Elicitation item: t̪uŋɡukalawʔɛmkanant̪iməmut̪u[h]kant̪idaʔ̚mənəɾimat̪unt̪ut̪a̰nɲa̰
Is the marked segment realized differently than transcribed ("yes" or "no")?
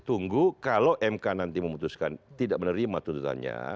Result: yes